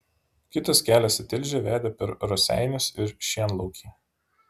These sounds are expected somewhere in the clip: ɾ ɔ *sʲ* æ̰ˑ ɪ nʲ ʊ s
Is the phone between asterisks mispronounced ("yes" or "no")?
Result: no